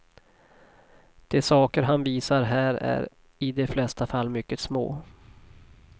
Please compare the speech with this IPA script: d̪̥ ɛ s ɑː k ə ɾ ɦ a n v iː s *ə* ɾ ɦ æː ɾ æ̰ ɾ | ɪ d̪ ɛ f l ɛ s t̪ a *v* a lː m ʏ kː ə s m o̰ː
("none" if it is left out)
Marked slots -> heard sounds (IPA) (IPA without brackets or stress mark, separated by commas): a, f